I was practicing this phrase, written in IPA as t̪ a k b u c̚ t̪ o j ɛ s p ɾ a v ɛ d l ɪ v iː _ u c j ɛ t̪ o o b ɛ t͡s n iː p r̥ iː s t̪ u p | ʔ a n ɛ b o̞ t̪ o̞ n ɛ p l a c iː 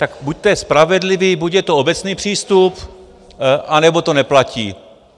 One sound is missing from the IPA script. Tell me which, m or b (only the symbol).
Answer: b